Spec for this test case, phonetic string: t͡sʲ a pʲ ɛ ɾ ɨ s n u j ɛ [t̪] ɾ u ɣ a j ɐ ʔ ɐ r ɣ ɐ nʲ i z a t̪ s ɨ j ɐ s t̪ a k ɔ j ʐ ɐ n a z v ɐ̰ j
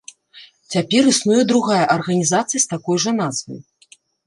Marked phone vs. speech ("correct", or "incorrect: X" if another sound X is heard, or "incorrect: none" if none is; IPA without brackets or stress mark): incorrect: d̪